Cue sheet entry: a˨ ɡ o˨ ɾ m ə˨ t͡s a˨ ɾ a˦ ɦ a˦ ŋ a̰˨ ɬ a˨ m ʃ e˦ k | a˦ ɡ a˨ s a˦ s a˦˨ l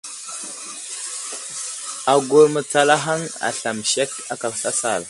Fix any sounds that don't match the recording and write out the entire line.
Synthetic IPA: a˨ ɡ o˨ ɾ m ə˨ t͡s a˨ l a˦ ɦ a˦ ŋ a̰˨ ɬ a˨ m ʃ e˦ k | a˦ k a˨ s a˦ s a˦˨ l